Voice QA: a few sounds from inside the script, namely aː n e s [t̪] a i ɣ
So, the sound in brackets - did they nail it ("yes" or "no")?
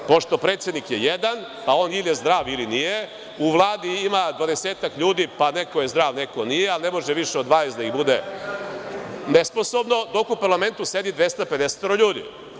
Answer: no